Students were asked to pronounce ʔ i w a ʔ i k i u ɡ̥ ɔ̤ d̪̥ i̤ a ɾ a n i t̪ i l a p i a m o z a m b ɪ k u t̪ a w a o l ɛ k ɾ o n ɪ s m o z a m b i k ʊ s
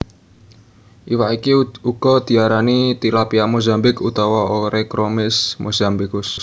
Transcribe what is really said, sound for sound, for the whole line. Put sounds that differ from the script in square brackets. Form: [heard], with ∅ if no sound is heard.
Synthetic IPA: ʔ i w a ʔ i k i u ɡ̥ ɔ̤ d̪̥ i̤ a ɾ a n i t̪ i l a p i a m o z a m b ɪ k u t̪ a w a o [ɾ] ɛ k ɾ o [m] ɪ s m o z a m b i k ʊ s